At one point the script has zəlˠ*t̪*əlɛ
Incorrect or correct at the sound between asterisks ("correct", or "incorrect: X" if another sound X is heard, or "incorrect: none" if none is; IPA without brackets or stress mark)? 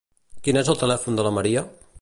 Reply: correct